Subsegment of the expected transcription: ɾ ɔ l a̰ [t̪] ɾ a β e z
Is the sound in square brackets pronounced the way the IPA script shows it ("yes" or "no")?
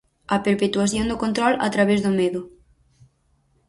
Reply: yes